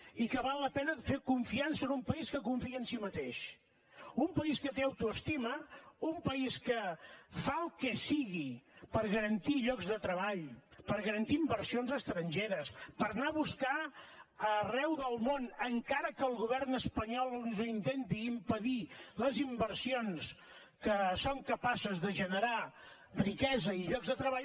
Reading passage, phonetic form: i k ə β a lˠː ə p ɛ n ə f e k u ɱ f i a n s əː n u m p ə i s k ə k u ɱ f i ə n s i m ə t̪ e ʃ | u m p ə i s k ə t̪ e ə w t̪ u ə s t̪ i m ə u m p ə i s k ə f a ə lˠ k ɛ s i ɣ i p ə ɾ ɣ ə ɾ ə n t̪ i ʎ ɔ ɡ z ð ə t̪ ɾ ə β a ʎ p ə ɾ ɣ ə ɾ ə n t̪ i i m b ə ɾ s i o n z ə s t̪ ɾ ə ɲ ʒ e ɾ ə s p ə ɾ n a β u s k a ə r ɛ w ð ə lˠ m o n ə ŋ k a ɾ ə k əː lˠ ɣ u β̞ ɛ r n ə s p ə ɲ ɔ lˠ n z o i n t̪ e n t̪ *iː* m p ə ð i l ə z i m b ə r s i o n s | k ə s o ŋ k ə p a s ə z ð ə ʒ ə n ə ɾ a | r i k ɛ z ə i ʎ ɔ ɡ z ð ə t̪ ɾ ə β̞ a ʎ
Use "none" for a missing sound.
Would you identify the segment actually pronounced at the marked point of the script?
iː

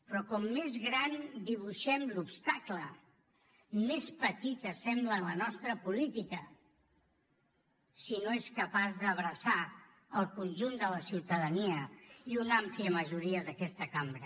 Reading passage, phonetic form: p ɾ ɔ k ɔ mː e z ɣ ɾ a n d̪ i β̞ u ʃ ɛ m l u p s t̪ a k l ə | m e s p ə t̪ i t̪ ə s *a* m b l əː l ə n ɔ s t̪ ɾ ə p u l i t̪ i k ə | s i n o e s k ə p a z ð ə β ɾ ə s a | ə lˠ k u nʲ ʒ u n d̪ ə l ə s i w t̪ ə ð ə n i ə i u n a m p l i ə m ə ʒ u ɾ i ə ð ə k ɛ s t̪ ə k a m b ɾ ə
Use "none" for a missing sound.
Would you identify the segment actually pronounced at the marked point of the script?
ɛ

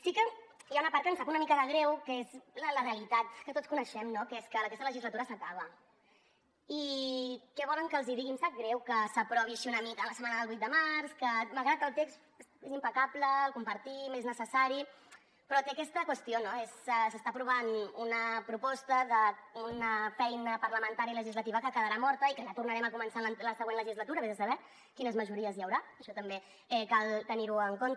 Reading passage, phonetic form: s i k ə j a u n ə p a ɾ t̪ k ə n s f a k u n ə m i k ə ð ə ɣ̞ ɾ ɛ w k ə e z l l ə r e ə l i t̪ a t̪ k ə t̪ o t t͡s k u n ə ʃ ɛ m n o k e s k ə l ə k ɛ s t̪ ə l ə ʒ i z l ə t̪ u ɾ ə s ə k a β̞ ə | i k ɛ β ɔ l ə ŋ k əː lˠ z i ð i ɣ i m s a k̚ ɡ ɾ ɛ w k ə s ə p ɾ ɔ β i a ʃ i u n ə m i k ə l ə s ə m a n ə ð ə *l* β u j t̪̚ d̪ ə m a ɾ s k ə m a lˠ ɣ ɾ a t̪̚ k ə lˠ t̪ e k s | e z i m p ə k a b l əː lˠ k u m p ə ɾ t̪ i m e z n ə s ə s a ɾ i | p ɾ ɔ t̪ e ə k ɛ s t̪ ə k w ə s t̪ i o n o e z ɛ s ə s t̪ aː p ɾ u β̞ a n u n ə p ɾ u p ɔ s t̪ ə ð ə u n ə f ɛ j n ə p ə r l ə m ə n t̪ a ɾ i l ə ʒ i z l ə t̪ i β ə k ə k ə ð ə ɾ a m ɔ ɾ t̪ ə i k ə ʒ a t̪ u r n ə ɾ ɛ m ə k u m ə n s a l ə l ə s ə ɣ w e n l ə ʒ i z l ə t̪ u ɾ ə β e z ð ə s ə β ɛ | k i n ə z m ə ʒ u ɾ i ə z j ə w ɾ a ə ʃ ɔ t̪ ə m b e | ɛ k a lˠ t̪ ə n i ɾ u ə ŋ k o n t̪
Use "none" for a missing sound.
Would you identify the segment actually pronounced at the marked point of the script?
l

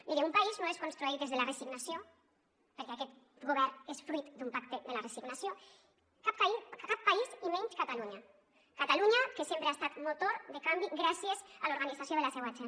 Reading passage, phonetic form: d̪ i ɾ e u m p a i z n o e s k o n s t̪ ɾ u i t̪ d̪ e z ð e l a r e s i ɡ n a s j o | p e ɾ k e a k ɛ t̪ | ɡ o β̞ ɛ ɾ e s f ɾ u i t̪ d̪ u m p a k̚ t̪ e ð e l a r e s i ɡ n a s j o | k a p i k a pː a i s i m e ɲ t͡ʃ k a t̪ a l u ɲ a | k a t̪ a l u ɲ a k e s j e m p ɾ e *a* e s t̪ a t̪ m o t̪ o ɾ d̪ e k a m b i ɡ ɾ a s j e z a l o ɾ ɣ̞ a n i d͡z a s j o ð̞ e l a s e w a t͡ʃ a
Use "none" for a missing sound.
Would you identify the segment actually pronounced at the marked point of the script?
a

